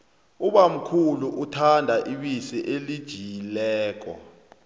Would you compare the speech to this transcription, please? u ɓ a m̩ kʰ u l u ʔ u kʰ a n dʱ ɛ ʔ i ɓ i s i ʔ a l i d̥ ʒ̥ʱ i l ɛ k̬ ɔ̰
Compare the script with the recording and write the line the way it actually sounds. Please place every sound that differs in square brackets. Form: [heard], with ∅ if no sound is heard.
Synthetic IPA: u ɓ a m̩ kʰ u l u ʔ u [tʰ] a n dʱ [a] ʔ i ɓ i s i ʔ [e] l i d̥ ʒ̥ʱ i l [ɛː] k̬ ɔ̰